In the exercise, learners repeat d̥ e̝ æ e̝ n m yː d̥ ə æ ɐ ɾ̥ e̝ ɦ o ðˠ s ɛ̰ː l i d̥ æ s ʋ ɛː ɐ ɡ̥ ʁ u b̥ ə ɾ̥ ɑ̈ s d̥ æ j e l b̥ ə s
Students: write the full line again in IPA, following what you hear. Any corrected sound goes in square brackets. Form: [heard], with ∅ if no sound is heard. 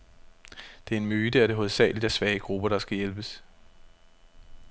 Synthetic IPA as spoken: d̥ e̝ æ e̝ n m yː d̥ ə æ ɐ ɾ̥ e̝ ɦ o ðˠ s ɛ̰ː l i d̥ æ s ʋ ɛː [ə] ɡ̥ ʁ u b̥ [ɐ] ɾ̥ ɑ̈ s [ɡ̥] æ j e l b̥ ə s